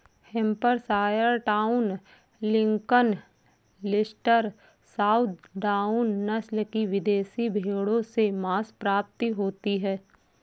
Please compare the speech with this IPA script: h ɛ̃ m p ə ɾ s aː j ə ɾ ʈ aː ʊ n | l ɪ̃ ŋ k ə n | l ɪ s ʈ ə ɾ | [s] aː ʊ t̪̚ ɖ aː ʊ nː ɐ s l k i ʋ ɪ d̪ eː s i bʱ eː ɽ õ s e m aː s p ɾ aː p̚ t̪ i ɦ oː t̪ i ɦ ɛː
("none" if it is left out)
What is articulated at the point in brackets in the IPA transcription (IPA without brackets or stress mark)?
s